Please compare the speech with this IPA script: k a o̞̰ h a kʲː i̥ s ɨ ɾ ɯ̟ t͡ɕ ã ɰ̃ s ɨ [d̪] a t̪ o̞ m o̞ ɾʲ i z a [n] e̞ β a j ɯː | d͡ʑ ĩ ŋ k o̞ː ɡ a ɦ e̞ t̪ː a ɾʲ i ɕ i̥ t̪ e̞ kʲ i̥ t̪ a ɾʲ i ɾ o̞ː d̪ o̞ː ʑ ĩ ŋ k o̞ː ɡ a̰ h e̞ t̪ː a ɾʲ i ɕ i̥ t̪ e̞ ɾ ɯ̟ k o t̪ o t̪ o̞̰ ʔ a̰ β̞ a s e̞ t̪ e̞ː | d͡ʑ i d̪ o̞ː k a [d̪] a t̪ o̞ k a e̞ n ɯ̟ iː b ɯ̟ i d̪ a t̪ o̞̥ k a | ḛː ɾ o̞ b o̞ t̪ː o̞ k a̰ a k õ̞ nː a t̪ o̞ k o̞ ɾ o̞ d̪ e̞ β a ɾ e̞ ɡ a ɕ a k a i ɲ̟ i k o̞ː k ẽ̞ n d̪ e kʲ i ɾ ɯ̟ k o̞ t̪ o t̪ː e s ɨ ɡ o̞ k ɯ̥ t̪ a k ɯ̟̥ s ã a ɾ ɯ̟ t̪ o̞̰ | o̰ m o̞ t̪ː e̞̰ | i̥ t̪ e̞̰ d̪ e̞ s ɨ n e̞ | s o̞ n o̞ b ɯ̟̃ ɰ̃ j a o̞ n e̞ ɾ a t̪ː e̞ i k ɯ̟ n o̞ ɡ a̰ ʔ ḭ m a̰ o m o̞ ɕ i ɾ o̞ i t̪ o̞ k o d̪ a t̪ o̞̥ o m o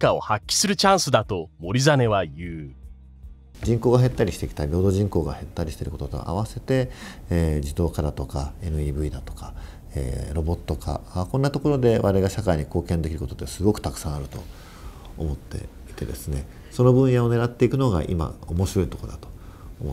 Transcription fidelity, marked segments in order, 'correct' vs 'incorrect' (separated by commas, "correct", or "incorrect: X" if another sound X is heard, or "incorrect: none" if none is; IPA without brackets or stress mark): correct, correct, correct